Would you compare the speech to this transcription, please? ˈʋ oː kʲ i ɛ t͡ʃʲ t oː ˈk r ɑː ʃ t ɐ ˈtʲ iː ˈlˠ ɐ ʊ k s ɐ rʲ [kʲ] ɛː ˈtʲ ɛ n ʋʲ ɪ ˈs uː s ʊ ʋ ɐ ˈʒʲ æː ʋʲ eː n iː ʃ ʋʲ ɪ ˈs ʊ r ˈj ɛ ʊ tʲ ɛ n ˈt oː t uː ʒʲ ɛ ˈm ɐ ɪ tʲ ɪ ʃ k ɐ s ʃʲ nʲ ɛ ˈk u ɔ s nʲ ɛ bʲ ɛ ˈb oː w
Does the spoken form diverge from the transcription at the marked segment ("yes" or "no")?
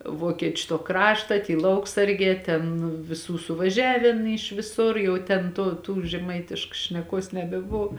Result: yes